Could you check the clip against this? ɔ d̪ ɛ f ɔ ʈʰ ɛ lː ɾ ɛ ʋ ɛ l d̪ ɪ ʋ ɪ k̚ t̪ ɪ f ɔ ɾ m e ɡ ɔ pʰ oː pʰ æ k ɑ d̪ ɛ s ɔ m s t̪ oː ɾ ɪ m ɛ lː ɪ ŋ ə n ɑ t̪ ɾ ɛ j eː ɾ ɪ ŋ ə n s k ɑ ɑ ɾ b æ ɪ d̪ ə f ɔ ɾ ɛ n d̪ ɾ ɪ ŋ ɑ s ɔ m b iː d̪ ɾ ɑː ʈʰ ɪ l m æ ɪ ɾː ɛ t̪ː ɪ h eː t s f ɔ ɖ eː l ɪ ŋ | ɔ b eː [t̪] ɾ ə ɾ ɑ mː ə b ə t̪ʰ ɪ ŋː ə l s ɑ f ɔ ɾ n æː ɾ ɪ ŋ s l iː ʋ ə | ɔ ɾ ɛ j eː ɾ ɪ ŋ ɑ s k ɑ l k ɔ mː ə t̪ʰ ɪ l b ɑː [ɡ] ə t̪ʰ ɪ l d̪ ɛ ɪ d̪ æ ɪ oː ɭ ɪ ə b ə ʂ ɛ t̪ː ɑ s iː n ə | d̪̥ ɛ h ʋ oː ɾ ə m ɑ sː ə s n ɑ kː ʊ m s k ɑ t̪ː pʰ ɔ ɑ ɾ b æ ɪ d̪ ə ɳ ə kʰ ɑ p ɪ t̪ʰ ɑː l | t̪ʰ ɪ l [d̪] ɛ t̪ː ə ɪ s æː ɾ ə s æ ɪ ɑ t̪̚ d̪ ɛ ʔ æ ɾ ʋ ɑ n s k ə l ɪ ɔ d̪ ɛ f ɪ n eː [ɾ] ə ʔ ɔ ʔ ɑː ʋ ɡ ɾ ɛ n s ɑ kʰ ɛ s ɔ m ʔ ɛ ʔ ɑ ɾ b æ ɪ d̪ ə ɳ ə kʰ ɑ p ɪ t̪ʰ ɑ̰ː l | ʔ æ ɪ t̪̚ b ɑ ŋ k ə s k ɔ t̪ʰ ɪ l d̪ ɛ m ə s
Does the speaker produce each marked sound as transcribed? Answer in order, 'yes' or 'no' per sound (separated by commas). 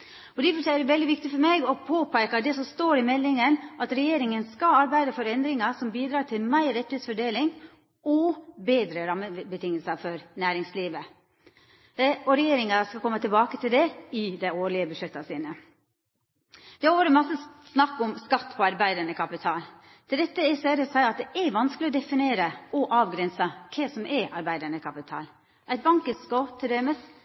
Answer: no, no, yes, yes